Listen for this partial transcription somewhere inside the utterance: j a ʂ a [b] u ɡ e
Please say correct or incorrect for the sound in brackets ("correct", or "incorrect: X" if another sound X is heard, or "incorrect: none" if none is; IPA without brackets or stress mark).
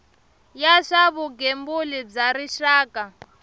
incorrect: β